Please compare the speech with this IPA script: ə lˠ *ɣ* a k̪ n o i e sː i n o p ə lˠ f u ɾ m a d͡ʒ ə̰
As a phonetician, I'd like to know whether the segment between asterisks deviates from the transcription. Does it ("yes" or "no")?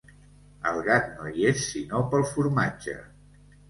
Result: no